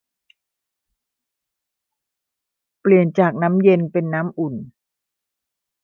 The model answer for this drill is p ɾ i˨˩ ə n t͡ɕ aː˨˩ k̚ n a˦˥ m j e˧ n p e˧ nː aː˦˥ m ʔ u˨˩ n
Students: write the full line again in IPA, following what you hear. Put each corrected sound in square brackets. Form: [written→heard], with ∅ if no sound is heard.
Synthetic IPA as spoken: p [ɾ→l] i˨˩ ə n t͡ɕ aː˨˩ k̚ n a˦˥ m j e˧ n p e˧ nː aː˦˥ m ʔ u˨˩ n